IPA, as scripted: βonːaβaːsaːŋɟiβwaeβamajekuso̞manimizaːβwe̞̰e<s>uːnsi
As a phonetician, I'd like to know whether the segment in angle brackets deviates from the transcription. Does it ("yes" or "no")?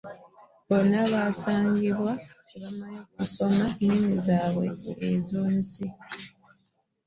yes